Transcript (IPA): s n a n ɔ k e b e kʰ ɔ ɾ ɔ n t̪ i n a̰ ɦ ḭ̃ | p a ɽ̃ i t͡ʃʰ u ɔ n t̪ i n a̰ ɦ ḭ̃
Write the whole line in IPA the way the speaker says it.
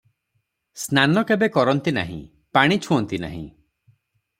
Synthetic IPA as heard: s n a n ɔ k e b e k ɔ ɾ ɔ n t̪ i n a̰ ɦ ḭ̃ | p a ɽ̃ i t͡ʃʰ u ɔ n t̪ i n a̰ ɦ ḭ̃